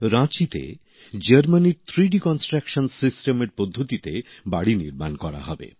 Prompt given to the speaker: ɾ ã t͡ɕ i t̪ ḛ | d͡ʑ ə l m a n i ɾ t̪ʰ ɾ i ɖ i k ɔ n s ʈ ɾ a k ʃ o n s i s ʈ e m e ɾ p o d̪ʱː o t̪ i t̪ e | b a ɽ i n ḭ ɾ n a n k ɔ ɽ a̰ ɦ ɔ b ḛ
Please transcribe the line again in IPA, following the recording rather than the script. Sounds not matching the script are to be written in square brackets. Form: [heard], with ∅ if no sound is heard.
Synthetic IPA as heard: ɾ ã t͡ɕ i t̪ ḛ | d͡ʑ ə [ɾ] m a n i ɾ t̪ʰ ɾ i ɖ i k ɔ n s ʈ ɾ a k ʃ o n s i s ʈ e m e ɾ p o d̪ʱː o t̪ i t̪ e | b a ɽ i n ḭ ɾ [m] a n k ɔ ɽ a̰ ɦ ɔ b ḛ